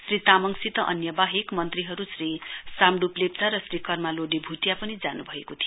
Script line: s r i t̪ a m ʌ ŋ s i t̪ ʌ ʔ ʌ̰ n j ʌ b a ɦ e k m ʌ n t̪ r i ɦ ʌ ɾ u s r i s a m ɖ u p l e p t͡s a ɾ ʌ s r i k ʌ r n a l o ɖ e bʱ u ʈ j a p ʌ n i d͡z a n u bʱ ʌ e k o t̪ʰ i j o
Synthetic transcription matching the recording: s r i t̪ a m ʌ ŋ s i t̪ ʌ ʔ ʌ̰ n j ʌ b a ɦ e k m ʌ n t̪ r i ɦ ʌ ɾ u s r i s a m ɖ u p l e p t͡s a ɾ ʌ s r i k ʌ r m a l o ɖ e bʱ u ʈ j a p ʌ n i d͡z a n u bʱ ʌ e k o t̪ʰ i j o